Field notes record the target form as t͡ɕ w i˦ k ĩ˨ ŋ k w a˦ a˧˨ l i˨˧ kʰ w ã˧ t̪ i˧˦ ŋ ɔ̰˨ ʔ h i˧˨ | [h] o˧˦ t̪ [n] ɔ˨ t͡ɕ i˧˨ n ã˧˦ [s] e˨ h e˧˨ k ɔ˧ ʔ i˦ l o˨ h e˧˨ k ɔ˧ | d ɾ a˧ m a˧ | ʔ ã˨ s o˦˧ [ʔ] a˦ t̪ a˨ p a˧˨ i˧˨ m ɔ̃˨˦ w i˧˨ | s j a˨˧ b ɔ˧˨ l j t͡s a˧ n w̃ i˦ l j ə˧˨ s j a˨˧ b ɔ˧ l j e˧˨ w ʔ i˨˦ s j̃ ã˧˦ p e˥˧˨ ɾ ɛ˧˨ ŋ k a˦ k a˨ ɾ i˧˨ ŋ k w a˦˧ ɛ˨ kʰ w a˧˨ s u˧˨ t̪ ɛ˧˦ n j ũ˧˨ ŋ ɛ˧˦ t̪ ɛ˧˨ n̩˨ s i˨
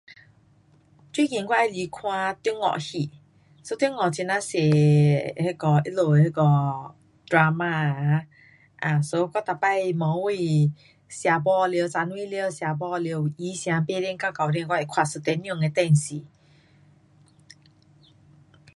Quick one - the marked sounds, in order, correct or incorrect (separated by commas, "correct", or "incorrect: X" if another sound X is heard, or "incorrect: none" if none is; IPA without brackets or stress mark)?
incorrect: s, incorrect: ŋ, correct, incorrect: k